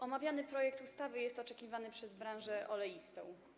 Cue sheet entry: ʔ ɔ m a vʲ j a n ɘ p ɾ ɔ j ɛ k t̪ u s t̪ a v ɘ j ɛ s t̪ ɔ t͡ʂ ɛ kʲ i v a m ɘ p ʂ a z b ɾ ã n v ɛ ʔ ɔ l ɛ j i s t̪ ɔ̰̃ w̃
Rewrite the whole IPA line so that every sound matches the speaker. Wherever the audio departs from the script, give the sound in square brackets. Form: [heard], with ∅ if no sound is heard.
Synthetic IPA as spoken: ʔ ɔ m a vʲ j a n ɘ p ɾ ɔ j ɛ k t̪ u s t̪ a v ɘ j ɛ s t̪ ɔ t͡ʂ ɛ kʲ i v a [n] ɘ p ʂ [ɛ] z b ɾ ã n [ʐ] ɛ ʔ ɔ l ɛ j i s t̪ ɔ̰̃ w̃